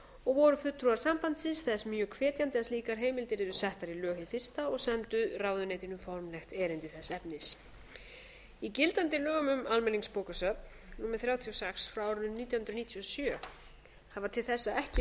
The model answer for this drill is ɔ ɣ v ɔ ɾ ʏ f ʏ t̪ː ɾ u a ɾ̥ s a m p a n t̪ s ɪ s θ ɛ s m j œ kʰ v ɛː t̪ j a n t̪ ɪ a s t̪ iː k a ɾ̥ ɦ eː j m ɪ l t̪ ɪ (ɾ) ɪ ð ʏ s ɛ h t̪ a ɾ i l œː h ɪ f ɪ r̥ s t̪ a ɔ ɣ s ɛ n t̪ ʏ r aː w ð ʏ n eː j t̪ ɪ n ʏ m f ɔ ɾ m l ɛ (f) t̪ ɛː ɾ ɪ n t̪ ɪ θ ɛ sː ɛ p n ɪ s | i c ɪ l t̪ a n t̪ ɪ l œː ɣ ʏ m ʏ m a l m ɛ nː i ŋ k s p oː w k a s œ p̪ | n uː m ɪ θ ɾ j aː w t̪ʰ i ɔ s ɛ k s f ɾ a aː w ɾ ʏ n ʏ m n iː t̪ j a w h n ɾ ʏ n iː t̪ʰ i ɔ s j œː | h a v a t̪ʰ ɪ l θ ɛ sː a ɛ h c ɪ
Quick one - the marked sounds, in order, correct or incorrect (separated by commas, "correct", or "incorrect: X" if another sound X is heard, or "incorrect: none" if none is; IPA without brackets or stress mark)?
correct, incorrect: x